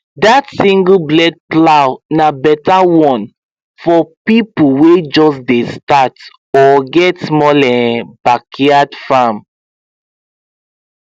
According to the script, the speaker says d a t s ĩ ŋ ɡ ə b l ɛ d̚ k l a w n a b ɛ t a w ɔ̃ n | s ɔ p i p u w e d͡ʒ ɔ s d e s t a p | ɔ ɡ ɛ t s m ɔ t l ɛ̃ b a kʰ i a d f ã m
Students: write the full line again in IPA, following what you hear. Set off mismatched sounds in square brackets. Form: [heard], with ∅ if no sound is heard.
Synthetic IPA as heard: d a t s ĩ ŋ ɡ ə b l ɛ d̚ [p] l a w n a b ɛ t a w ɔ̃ n | [f] ɔ p i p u w e d͡ʒ ɔ s d e s t a [t] | ɔ ɡ ɛ t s m ɔ [∅] l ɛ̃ b a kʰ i a d f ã m